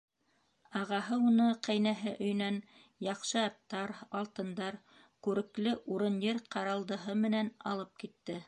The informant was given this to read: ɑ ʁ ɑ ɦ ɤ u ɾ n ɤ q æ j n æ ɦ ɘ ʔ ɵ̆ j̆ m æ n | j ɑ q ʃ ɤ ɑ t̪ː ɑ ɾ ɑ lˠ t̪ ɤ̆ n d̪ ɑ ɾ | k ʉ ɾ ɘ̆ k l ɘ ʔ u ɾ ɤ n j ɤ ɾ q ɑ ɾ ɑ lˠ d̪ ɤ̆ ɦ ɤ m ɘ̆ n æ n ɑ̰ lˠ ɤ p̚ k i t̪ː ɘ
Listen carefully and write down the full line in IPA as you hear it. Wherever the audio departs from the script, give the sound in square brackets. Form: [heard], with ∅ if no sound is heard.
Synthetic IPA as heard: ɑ ʁ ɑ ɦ ɤ u [∅] n ɤ q æ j n æ ɦ ɘ ʔ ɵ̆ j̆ [n] æ n | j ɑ q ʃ ɤ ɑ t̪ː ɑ ɾ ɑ lˠ t̪ ɤ̆ n d̪ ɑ ɾ | k ʉ ɾ ɘ̆ k l ɘ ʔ u ɾ ɤ n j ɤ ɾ q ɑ ɾ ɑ lˠ d̪ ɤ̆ ɦ ɤ m ɘ̆ n æ n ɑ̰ lˠ ɤ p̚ k i t̪ː ɘ